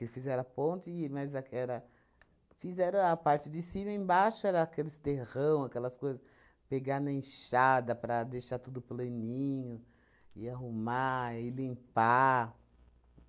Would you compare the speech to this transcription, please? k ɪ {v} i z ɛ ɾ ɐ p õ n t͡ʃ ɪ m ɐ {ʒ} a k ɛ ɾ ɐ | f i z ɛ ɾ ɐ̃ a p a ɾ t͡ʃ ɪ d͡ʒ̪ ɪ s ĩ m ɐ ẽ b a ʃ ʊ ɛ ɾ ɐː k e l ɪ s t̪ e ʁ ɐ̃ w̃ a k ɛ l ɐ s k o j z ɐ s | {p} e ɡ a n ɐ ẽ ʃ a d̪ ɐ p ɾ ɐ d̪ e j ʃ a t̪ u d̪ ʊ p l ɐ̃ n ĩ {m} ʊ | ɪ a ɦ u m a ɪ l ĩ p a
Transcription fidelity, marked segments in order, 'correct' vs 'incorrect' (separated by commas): incorrect, incorrect, correct, incorrect